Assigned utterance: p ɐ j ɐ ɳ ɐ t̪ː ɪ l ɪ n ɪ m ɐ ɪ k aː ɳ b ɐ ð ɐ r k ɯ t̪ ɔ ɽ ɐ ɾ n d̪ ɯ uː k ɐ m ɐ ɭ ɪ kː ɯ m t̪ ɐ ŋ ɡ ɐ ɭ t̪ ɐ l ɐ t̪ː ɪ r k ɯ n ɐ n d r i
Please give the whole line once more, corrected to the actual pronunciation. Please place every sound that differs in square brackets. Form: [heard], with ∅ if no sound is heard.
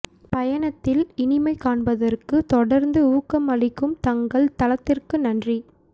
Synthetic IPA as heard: p ɐ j ɐ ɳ ɐ t̪ː ɪ l ɪ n ɪ m ɐ ɪ k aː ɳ b ɐ ð ɐ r k ɯ t̪ ɔ ɽ ɐ ɾ n d̪ ɯ uː k ɐ m ɐ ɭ ɪ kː ɯ m t̪ ɐ ŋ ɡ ɐ ɭ t̪ ɐ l ɐ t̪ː ɪ r k ɯ n ɐ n d r i